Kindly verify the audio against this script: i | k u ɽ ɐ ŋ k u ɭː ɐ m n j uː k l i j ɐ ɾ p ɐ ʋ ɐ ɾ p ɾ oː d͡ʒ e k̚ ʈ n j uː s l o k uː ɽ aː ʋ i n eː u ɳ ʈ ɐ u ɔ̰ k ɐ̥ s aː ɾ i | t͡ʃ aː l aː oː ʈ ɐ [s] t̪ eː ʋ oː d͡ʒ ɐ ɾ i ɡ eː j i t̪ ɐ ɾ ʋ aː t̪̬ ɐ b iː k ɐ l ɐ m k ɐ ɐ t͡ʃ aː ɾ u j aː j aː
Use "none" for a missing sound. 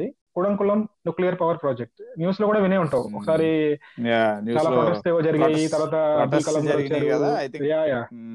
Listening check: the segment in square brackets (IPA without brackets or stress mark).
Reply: s